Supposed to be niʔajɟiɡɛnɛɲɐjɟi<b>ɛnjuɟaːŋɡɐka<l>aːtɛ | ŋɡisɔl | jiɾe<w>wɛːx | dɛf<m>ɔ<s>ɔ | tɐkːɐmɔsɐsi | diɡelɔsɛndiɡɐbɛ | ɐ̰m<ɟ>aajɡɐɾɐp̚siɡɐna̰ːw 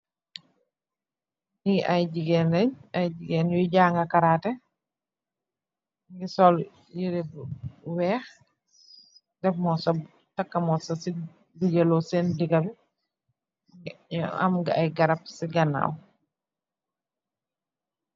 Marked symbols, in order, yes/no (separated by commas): no, no, no, yes, yes, no